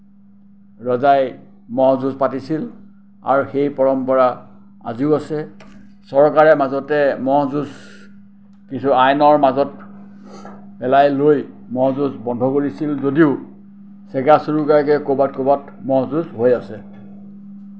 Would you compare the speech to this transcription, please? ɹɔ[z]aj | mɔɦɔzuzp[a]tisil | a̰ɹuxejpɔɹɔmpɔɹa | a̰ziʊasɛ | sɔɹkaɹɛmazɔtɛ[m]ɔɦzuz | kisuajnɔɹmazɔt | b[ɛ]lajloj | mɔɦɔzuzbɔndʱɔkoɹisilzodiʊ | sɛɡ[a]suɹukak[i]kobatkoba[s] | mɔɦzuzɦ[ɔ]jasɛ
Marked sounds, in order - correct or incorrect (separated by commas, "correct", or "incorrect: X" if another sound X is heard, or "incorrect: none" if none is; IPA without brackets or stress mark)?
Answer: correct, correct, correct, correct, correct, incorrect: ɛ, incorrect: t, incorrect: o